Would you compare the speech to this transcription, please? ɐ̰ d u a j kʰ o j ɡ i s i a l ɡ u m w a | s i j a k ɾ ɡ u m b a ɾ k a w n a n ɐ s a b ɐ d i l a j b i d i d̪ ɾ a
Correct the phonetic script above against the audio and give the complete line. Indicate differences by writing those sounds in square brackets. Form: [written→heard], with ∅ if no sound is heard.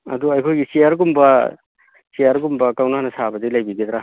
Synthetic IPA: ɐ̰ d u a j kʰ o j ɡ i s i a [l→ɾ] ɡ u m [w→b] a | s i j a [k→∅] ɾ ɡ u m b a [ɾ→∅] k a w n a n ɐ s a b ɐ d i l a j b i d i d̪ ɾ a